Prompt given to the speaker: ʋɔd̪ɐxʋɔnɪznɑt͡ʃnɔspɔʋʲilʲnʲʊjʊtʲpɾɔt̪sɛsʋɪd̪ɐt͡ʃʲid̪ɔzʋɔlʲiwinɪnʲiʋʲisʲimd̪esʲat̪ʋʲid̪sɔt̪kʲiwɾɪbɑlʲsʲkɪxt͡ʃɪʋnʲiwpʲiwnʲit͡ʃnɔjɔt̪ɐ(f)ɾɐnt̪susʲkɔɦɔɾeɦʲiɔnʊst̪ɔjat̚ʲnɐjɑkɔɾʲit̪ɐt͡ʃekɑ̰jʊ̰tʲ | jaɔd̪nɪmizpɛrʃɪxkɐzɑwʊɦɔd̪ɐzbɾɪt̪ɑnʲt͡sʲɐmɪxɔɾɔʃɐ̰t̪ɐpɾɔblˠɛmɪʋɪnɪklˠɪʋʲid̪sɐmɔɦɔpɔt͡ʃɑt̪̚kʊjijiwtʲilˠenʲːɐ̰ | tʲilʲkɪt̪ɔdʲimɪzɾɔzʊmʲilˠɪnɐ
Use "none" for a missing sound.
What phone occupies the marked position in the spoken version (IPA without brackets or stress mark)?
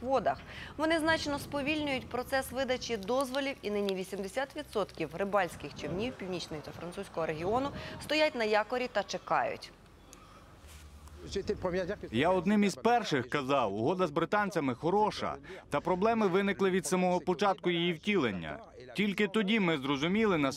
f